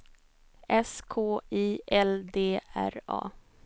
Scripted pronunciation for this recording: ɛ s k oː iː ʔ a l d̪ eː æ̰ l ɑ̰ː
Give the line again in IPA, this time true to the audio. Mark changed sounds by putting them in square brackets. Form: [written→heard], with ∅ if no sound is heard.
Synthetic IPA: ɛ s [k→kʰ] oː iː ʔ [a→ɛ] l d̪ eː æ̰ [l→ɾ] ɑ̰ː